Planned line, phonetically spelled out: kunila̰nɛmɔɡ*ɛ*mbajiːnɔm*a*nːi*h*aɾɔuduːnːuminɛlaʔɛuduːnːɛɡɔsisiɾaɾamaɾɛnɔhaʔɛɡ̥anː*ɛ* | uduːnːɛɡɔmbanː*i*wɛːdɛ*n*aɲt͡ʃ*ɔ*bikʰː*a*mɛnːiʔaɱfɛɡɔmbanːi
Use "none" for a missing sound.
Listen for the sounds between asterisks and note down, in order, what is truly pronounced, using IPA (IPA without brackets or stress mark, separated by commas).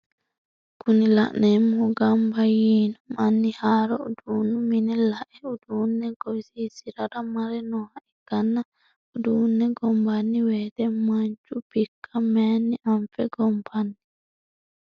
a, a, h, a, i, m, u, a